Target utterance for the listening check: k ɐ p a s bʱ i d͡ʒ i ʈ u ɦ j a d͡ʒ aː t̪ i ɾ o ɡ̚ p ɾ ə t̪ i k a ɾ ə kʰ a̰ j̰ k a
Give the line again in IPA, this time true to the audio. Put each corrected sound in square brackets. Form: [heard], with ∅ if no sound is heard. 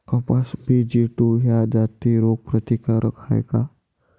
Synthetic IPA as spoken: k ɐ p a s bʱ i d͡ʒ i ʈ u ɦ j a d͡ʒ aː t̪ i ɾ o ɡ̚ p ɾ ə t̪ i k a ɾ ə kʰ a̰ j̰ k a

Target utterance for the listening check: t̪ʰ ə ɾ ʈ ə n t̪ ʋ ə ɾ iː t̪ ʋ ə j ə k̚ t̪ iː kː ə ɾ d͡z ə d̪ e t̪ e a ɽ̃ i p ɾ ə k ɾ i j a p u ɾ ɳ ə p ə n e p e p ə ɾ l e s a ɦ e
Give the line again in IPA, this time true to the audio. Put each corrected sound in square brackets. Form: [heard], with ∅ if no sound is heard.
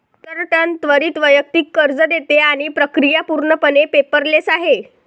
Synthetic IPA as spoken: [t̪] ə ɾ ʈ ə n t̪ ʋ ə ɾ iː t̪ ʋ ə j ə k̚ t̪ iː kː ə ɾ d͡z ə d̪ e t̪ e a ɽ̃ i p ɾ ə k ɾ i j a p u ɾ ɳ ə p ə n e p e p ə ɾ l e s a ɦ e

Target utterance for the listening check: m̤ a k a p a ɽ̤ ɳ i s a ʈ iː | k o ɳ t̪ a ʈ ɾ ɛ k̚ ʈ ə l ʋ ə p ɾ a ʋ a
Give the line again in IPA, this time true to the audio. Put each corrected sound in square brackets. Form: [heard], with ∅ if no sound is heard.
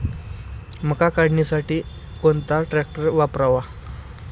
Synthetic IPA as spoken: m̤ [ə] k a [k] a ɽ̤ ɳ i s a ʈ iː | k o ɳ t̪ a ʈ ɾ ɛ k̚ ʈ ə [ɾ] ʋ [a] p ɾ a ʋ a

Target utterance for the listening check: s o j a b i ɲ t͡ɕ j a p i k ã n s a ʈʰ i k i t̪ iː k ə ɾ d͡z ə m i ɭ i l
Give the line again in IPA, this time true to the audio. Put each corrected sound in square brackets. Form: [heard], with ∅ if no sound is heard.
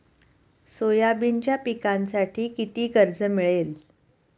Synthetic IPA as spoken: s o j a b i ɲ t͡ɕ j a p i k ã n s a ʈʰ [iː] k i t̪ iː k ə ɾ d͡z ə m i ɭ [e] l

